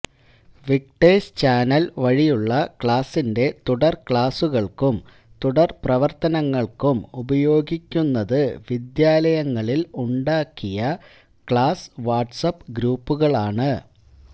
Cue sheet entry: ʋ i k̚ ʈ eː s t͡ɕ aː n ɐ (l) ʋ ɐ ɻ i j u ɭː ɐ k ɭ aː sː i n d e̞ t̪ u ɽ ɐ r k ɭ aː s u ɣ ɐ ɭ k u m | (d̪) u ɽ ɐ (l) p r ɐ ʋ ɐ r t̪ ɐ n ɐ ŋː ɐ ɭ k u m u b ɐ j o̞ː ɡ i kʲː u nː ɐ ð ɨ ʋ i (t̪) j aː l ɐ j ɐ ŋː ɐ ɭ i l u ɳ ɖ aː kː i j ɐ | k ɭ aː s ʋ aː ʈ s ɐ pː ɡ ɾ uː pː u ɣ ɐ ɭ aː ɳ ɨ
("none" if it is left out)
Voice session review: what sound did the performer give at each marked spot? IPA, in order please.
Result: l, t̪, r, d̪

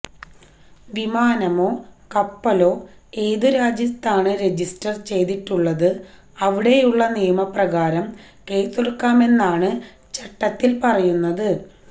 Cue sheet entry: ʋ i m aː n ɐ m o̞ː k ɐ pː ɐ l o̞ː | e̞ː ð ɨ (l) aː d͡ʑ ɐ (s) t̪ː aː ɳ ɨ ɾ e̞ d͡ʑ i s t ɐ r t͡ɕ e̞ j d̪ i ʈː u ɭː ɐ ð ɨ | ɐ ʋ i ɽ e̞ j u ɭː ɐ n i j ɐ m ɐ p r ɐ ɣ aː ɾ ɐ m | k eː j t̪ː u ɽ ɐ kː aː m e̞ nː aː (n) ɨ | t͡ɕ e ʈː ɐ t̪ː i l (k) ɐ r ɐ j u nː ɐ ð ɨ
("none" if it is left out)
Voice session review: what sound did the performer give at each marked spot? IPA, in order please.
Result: ɾ, s, ɳ, p

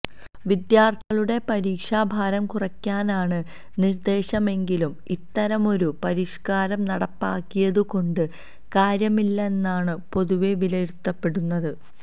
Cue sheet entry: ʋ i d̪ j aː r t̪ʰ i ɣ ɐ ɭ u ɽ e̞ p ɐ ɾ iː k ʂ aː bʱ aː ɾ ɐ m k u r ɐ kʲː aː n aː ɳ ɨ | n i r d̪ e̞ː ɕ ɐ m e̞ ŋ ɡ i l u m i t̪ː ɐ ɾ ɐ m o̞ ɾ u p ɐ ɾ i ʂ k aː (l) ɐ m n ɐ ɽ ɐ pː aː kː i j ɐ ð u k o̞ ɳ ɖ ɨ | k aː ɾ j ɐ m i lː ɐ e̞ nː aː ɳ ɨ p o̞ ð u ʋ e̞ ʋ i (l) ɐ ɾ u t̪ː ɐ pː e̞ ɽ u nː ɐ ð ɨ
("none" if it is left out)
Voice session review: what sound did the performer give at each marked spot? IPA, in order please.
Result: ɾ, l

